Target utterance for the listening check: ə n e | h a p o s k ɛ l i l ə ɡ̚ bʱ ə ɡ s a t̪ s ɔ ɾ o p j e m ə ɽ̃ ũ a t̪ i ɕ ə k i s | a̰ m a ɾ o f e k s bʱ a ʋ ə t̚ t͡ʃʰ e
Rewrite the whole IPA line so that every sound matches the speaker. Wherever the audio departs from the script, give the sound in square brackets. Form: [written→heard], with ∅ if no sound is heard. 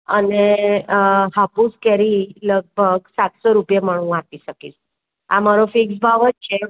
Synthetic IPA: ə n e | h a p [o→u] s k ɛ [l→ɾ] i l ə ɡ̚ bʱ ə ɡ s a t̪ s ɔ ɾ [o→u] p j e m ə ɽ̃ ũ a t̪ i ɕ ə k i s | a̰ m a ɾ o f [e→i] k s bʱ a ʋ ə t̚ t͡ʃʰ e